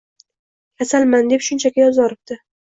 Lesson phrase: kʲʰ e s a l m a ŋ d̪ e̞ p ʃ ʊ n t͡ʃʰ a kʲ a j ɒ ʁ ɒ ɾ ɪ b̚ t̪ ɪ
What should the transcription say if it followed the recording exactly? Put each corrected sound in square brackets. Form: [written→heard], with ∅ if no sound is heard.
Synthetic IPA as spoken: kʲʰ [e→a] s a l m a [ŋ→n] d̪ e̞ p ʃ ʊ n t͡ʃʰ a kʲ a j ɒ [ʁ→z] ɒ ɾ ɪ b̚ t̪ ɪ